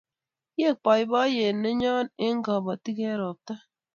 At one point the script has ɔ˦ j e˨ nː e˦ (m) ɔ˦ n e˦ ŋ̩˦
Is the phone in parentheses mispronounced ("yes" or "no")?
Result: yes